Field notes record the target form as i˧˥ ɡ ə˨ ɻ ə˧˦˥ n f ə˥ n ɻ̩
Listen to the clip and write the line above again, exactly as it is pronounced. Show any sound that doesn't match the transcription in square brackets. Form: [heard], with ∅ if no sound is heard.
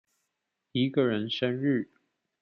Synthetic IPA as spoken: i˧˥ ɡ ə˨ ɻ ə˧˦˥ n [ʂ] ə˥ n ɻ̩